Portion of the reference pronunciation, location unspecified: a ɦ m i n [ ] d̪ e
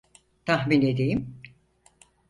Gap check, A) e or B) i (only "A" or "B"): A